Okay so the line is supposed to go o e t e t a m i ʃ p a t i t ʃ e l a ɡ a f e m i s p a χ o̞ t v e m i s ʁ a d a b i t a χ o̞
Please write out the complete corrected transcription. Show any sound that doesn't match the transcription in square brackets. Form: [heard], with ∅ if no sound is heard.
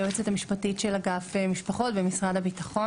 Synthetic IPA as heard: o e [t͡s] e t a m i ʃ p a t i t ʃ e l a ɡ a f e m i [ʃ] p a χ o̞ t [b] e m i s ʁ a d a b i t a χ o̞

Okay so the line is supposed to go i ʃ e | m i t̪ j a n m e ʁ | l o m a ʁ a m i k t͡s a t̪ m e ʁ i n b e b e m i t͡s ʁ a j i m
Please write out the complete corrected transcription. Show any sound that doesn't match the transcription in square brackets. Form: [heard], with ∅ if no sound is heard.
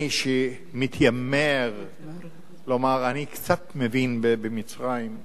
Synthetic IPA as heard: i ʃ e | m i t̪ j a [∅] m e ʁ | l o m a ʁ a [n] i k t͡s a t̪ m e [v] i n b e b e m i t͡s ʁ a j i m

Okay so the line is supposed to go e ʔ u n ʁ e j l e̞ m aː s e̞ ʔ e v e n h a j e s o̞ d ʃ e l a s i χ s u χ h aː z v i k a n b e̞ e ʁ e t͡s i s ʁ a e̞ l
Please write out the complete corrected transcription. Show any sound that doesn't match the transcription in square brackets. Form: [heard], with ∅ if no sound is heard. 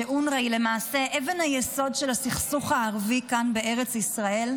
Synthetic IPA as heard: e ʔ u n ʁ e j l e̞ m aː s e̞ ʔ e v e n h a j e s o̞ d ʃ e l a s i χ s u χ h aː [ʁ] v i k a n b e̞ e ʁ e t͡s i s ʁ a e̞ l

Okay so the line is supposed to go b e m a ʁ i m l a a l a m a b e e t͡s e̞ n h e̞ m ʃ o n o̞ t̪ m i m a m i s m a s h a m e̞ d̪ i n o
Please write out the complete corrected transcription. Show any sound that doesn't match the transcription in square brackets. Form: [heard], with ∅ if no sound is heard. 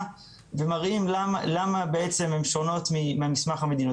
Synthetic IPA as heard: [v] e m a ʁ i m l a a l a m a b e e t͡s e̞ [m] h e̞ m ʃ o n o̞ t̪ m i m a m i s m a [χ] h a m e̞ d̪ i n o

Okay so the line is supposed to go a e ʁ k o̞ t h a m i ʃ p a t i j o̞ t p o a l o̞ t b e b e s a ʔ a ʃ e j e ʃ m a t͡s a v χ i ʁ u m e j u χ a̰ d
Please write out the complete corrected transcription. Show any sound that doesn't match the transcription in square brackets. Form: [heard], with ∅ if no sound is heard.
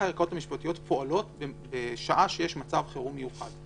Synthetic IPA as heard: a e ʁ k o̞ t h a m i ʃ p a t i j o̞ t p o a l o̞ t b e b e [ʃ] a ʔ a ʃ e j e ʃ m a t͡s a v χ [e] ʁ u m e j u χ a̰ d

